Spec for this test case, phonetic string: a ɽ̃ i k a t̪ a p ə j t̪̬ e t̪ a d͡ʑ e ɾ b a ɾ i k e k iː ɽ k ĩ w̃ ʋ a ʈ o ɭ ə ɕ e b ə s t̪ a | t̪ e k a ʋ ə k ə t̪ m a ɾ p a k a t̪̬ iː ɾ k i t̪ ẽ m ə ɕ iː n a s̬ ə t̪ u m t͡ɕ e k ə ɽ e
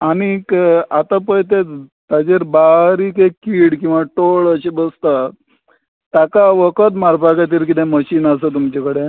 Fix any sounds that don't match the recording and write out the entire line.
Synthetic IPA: a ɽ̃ i k a t̪ a p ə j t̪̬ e t̪ a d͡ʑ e ɾ b a ɾ i k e k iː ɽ k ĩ w̃ ʋ a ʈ o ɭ ə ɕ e b ə s t̪ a | t̪ a k a ʋ ə k ə t̪ m a ɾ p a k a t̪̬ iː ɾ k i t̪ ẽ m ə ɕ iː n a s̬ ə t̪ u m t͡ɕ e k ə ɽ e

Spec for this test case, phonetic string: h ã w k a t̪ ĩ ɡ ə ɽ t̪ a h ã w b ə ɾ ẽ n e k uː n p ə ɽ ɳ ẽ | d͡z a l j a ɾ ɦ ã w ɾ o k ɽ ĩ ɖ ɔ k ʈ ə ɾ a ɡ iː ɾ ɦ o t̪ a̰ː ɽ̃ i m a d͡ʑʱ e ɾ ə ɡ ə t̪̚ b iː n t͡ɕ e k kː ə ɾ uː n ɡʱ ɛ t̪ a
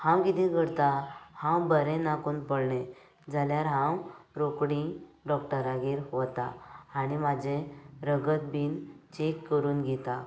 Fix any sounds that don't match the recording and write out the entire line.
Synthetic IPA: h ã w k i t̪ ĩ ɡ ə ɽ t̪ a h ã w b ə ɾ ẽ n a k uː n p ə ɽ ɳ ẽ | d͡z a l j a ɾ ɦ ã w ɾ o k ɽ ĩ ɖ ɔ k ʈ ə ɾ a ɡ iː ɾ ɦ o t̪ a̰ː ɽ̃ i m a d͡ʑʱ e ɾ ə ɡ ə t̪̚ b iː n t͡ɕ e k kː ə ɾ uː n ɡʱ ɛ t̪ a

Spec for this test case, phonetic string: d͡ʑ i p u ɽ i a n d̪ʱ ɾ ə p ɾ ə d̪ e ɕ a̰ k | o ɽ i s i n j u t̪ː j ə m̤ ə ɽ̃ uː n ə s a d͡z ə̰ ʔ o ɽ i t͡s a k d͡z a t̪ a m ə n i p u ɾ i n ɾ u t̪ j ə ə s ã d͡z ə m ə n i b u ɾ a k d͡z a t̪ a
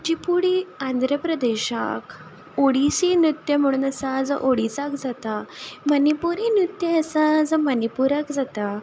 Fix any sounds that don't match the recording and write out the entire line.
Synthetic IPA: d͡ʑ i p u ɽ i a n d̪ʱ ɾ ə p ɾ ə d̪ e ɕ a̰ k | o ɽ i s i n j u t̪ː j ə m̤ ə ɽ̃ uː n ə s a d͡z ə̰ ʔ o ɽ i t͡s a k d͡z a t̪ a m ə n i p u ɾ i n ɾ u t̪ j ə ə s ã d͡z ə m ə n i p u ɾ a k d͡z a t̪ a

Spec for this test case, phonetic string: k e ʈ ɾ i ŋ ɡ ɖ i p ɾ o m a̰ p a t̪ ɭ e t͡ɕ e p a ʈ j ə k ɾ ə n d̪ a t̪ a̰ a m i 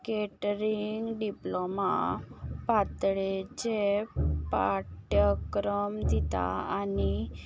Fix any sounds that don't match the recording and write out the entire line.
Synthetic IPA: k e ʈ ɾ i ŋ ɡ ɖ i p l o m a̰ p a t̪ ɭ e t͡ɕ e p a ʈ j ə k ɾ ə m d̪ i t̪ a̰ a n i

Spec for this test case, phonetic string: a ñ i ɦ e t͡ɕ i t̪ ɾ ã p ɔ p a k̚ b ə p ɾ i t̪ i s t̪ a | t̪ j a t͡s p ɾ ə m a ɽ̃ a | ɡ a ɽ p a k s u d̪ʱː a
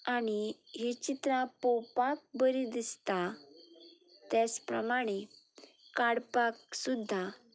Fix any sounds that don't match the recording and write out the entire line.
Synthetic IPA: a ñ i ɦ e t͡ɕ i t̪ ɾ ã p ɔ p a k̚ b ə ɾ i d̪ i s t̪ a | t̪ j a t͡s p ɾ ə m a ɽ̃ e | k a ɽ p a k s u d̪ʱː a

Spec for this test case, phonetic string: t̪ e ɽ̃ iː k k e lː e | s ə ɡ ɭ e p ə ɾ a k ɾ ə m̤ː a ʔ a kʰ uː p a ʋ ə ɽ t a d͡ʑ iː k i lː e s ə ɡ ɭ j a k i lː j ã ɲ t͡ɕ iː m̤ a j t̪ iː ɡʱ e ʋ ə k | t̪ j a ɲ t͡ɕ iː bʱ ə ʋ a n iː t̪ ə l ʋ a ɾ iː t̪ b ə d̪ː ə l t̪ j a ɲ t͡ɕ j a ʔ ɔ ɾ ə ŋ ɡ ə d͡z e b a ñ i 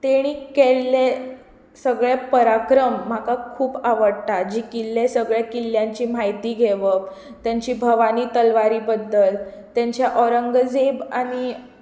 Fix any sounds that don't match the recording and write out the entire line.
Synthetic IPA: t̪ e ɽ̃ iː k k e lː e | s ə ɡ ɭ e p ə ɾ a k ɾ ə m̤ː a k a kʰ uː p a ʋ ə ɽ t a d͡ʑ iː k i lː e s ə ɡ ɭ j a k i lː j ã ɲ t͡ɕ iː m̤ a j t̪ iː ɡʱ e ʋ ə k | t̪ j a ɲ t͡ɕ iː bʱ ə ʋ a n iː t̪ ə l ʋ a ɾ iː b ə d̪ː ə l t̪ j a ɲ t͡ɕ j a ʔ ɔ ɾ ə ŋ ɡ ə d͡z e b a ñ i

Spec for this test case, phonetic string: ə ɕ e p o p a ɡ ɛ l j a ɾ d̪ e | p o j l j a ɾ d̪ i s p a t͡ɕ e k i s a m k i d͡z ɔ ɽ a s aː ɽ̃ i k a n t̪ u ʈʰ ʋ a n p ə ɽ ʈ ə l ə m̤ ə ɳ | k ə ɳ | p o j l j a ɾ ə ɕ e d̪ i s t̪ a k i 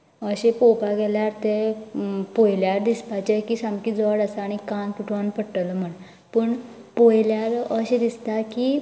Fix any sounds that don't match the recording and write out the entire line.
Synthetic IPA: ə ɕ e p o p a ɡ ɛ l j a ɾ t̪ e | p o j l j a ɾ d̪ i s p a t͡ɕ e k i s a m k i d͡z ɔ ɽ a s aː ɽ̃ i k a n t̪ u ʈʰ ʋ a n p ə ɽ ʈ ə l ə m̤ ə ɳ | p ə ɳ | p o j l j a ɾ ə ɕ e d̪ i s t̪ a k i

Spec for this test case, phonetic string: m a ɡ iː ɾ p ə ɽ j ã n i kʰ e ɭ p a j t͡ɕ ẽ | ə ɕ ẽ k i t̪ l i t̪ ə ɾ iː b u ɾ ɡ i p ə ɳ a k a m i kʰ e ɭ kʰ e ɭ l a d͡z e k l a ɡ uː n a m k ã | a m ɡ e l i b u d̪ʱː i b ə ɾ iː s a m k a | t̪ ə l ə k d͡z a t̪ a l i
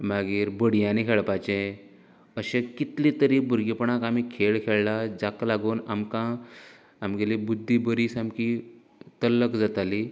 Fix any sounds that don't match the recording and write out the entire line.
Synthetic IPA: m a ɡ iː ɾ b ə ɽ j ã n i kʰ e ɭ p a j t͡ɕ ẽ | ə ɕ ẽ k i t̪ l i t̪ ə ɾ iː b u ɾ ɡ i p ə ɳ a k a m i kʰ e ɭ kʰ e ɭ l a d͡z a k l a ɡ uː n a m k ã | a m ɡ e l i b u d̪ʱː i b ə ɾ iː s a m k i | t̪ ə l ə k d͡z a t̪ a l i

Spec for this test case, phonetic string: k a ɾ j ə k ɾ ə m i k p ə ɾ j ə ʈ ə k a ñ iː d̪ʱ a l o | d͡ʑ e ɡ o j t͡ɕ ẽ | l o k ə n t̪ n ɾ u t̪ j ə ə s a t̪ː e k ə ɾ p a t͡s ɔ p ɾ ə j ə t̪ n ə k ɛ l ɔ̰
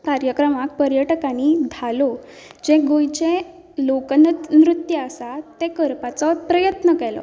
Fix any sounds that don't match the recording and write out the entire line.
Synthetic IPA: k a ɾ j ə k ɾ ə m a k p ə ɾ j ə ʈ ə k a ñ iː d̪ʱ a l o | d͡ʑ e ɡ o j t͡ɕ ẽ | l o k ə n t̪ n ɾ u t̪ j ə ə s a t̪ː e k ə ɾ p a t͡s ɔ p ɾ ə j ə t̪ n ə k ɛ l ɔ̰

